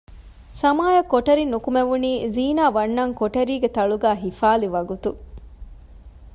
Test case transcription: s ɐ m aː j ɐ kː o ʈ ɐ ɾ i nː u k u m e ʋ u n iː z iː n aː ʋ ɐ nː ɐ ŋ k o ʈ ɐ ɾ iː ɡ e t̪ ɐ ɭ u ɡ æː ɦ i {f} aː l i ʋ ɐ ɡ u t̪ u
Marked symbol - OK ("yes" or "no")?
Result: yes